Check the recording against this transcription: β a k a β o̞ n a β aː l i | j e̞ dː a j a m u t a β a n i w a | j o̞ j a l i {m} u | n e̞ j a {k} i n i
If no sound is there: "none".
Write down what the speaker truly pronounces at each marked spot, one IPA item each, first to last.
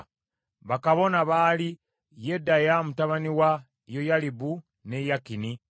b, k

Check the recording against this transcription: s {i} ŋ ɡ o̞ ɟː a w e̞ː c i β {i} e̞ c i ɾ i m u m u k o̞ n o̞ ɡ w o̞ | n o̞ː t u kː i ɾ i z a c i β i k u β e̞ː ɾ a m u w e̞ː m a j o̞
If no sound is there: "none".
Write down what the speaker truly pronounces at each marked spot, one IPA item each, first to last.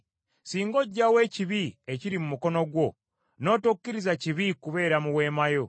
iː, i

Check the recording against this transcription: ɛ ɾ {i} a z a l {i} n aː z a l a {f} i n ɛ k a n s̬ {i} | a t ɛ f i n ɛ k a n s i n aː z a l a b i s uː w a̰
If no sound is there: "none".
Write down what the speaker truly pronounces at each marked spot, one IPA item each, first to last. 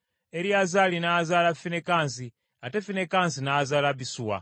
i, i, f, i

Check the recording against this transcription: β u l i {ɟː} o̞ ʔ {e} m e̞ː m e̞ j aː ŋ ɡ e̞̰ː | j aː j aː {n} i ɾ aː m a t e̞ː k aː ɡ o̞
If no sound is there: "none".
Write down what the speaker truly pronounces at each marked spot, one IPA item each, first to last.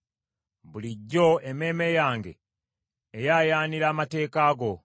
ɟː, e, n

